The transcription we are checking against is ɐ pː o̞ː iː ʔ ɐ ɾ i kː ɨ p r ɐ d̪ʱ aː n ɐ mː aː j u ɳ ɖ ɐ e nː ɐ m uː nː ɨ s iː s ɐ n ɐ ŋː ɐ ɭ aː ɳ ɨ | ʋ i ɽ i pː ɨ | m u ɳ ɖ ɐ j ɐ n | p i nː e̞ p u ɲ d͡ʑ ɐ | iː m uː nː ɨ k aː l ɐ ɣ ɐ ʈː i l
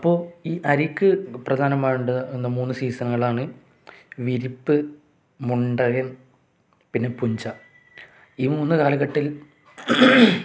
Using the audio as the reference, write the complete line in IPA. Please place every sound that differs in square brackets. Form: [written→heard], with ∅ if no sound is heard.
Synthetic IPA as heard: ɐ pː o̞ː iː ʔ ɐ ɾ i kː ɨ p r ɐ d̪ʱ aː n ɐ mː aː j u ɳ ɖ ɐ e nː ɐ m uː nː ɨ s iː s ɐ n ɐ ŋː ɐ ɭ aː ɳ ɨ | ʋ i [ɽ→ɾ] i pː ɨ | m u ɳ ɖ ɐ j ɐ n | p i nː e̞ p u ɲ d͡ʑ ɐ | iː m uː nː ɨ k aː l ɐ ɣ ɐ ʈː i l